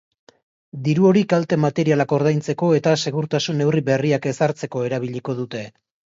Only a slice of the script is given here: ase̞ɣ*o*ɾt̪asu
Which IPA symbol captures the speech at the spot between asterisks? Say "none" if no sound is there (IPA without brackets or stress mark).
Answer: u